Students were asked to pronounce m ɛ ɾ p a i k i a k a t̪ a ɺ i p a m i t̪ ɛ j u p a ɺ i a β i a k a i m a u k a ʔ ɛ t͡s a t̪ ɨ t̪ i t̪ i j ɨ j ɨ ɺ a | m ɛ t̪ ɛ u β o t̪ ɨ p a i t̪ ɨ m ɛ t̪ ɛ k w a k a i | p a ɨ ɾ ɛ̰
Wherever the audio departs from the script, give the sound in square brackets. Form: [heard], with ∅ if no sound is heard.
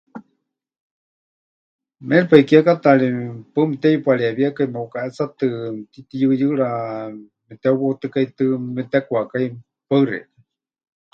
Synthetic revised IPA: m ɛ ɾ p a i k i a k a t̪ a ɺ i p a m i t̪ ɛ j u p a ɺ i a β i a k a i m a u k a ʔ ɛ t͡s a t̪ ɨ t̪ i t̪ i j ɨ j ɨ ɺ a | m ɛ t̪ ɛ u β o t̪ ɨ [k] a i t̪ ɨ m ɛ t̪ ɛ k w a k a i | p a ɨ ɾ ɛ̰